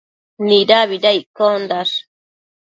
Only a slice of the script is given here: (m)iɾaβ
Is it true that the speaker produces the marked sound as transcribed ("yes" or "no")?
no